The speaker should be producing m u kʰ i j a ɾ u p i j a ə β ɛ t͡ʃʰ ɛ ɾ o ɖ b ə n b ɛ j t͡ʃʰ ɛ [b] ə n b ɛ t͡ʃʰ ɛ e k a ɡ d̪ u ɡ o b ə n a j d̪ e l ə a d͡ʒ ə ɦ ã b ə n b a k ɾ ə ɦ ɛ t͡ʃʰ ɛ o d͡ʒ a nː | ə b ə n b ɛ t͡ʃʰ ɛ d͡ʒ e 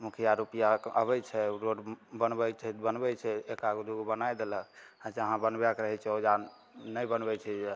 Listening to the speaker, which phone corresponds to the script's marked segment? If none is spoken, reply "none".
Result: b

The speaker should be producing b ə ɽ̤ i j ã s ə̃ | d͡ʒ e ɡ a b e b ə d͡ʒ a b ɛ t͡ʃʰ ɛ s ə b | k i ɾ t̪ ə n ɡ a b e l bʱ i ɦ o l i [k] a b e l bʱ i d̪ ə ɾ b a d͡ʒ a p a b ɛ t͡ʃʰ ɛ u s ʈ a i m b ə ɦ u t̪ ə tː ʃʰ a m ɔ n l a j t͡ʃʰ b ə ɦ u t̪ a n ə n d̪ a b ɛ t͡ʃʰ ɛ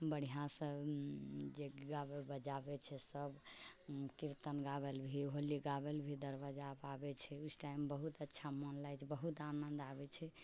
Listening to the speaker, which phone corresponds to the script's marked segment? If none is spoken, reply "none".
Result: ɡ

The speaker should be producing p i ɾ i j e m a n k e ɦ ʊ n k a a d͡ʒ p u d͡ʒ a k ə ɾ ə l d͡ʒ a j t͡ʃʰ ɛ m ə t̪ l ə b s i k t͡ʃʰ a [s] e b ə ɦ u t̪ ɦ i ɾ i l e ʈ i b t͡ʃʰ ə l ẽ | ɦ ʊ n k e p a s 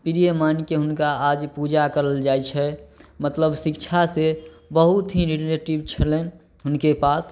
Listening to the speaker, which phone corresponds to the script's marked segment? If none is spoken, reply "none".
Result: s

